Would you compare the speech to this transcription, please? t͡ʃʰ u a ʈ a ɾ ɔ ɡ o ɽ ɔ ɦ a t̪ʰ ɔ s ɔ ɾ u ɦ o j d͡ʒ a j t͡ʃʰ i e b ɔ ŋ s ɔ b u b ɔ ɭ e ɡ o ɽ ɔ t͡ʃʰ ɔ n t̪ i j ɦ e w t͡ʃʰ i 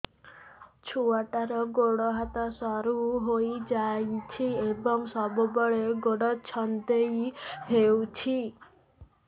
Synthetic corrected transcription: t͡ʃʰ u a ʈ a ɾ ɔ ɡ o ɽ ɔ ɦ a t̪ ɔ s ɔ ɾ u ɦ o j d͡ʒ a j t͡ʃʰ i e b ɔ ŋ s ɔ b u b ɔ ɭ e ɡ o ɽ ɔ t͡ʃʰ ɔ n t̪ e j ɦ e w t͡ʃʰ i

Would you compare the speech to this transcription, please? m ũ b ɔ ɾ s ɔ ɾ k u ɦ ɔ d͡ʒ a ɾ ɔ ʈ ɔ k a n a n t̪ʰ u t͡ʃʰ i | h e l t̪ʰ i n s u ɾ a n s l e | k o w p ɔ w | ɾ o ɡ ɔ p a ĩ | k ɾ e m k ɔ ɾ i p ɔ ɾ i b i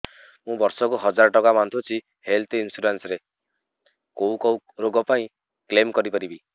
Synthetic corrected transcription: m ũ b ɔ ɾ s ɔ k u ɦ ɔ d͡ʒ a ɾ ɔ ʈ ɔ k a m a n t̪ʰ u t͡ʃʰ i | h e l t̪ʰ i n s u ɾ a n s ɾ e | k o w k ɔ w | ɾ o ɡ ɔ p a ĩ | k l e m k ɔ ɾ i p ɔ ɾ i b i

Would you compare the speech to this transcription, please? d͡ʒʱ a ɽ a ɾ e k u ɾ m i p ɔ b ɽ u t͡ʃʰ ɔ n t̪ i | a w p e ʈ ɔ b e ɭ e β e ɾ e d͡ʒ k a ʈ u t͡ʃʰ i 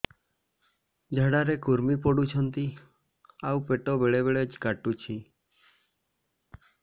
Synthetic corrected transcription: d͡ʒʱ a ɽ a ɾ e k u ɾ m i p ɔ ɽ u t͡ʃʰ ɔ n t̪ i | a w p e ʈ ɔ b e ɭ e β e ɭ e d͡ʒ k a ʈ u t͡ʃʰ i

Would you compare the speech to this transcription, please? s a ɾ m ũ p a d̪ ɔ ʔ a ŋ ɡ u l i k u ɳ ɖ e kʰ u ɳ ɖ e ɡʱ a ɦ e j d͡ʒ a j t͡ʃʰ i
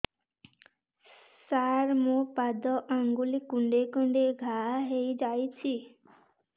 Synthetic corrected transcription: s a ɾ m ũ p a d̪ ɔ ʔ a ŋ ɡ u l i k u ɳ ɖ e k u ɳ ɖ e ɡʱ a ɦ e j d͡ʒ a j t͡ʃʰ i

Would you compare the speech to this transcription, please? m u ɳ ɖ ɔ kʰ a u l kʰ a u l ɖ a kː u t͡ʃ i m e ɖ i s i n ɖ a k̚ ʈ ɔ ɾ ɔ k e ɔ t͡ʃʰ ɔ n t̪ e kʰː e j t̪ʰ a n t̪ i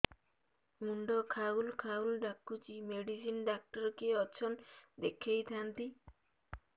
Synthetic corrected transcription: m u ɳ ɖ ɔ kʰ a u l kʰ a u l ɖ a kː u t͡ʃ i m e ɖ i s i n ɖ a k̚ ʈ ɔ ɾ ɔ k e ɔ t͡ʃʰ ɔ n d̪ e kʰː e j t̪ʰ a n t̪ i

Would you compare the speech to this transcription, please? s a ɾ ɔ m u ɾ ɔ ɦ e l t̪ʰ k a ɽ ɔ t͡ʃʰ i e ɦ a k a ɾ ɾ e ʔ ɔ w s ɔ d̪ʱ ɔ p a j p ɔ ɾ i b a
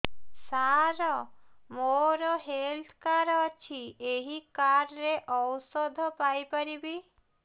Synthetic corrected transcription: s a ɾ ɔ m o ɾ ɔ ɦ e l t̪ʰ k a ɾ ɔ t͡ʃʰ i e ɦ i k a ɾ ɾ e ʔ ɔ w s ɔ d̪ʱ ɔ p a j p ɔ ɾ i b i

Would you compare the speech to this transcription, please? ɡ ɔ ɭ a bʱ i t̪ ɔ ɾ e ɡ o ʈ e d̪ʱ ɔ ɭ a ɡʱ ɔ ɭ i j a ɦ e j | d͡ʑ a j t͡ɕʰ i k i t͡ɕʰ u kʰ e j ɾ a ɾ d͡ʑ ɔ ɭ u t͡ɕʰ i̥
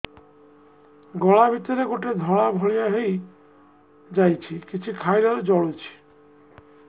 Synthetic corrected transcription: ɡ ɔ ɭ a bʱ i t̪ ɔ ɾ e ɡ o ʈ e d̪ʱ ɔ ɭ a bʱ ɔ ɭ i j a ɦ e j | d͡ʑ a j t͡ɕʰ i k i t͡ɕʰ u kʰ a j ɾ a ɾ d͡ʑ ɔ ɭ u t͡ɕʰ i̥

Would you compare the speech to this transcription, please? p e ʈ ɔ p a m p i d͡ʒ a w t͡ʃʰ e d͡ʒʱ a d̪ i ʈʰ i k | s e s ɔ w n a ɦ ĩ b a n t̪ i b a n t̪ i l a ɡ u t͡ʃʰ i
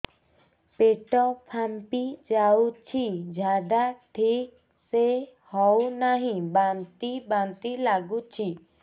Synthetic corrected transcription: p e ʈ ɔ pʰ a m p i d͡ʒ a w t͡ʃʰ i d͡ʒʱ a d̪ a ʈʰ i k | s e h ɔ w n a ɦ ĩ b a n t̪ i b a n t̪ i l a ɡ u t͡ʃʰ i

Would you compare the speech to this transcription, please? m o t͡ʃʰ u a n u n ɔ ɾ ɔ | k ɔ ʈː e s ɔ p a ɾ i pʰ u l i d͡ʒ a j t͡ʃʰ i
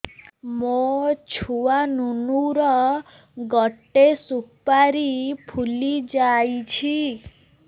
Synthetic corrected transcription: m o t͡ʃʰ u a n u n u ɾ ɔ | ɡ ɔ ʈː e s u p a ɾ i pʰ u l i d͡ʒ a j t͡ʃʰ i

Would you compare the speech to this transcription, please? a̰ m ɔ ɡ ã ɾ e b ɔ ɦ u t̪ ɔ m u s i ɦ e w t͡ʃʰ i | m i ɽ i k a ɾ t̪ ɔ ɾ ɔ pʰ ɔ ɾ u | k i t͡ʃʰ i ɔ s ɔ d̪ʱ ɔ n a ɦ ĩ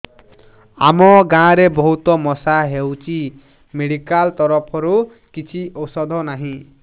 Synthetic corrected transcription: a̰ m ɔ ɡ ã ɾ e b ɔ ɦ u t̪ ɔ m ɔ s a ɦ e w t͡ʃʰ i | m e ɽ i k a l t̪ ɔ ɾ ɔ pʰ ɔ ɾ u | k i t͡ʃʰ i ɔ s ɔ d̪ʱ ɔ n a ɦ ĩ

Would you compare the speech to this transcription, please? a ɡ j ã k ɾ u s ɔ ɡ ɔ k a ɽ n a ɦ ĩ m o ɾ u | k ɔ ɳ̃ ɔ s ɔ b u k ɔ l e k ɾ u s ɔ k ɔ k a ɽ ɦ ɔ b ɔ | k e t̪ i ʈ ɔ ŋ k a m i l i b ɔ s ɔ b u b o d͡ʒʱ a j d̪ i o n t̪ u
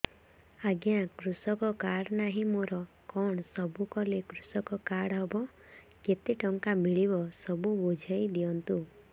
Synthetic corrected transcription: a ɡ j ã k ɾ u s ɔ k ɔ k a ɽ n a ɦ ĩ m o ɾ ɔ | k ɔ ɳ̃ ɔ s ɔ b u k ɔ l e k ɾ u s ɔ k ɔ k a ɽ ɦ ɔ b ɔ | k e t̪ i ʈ ɔ ŋ k a m i ɭ i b ɔ s ɔ b u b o d͡ʒʱ a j d̪ i ɔ n t̪ u

